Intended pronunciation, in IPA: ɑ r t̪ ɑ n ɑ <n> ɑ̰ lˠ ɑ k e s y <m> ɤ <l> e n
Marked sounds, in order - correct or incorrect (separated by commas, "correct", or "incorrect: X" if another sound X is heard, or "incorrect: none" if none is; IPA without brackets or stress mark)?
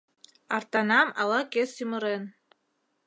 incorrect: m, correct, incorrect: ɾ